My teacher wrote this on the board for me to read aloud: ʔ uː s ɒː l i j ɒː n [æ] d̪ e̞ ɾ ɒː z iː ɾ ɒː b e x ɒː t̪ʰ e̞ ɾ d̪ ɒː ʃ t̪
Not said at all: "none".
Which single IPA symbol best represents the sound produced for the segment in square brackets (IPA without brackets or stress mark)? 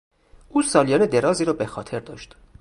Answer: e